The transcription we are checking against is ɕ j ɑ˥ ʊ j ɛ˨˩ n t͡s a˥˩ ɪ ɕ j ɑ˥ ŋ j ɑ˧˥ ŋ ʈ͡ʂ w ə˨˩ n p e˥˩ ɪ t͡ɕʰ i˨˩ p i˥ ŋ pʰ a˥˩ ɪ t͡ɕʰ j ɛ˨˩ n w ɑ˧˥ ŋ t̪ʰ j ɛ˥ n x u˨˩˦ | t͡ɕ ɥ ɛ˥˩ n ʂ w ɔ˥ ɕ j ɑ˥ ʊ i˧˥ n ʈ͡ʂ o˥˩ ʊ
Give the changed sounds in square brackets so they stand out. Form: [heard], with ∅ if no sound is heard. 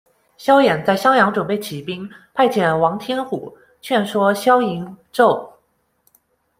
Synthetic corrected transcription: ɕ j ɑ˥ ʊ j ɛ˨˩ n t͡s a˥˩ ɪ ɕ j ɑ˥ ŋ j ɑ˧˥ ŋ ʈ͡ʂ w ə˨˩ n p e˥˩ ɪ t͡ɕʰ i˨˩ p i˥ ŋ pʰ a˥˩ ɪ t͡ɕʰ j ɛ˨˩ n w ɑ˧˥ ŋ t̪ʰ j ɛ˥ n x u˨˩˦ | [t͡ɕʰ] ɥ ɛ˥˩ n ʂ w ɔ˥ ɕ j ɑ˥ ʊ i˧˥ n ʈ͡ʂ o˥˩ ʊ